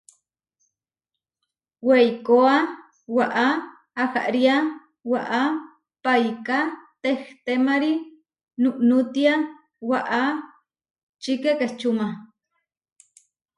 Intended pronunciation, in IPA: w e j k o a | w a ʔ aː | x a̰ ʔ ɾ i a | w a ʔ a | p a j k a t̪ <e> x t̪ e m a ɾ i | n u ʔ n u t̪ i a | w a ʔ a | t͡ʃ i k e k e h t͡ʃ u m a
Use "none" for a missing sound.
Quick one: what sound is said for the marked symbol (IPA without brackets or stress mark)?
e